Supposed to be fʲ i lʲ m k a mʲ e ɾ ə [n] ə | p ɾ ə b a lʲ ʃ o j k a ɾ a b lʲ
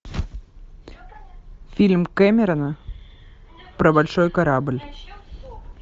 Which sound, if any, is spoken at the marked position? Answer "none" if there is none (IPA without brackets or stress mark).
n